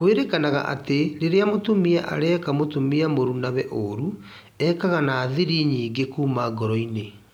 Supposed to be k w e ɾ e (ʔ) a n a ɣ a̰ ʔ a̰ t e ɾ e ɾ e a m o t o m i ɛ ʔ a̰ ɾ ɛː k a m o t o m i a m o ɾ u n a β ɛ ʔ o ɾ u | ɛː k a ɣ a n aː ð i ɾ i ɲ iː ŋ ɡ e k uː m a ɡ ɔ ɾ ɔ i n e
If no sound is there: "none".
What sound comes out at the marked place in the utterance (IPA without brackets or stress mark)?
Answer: k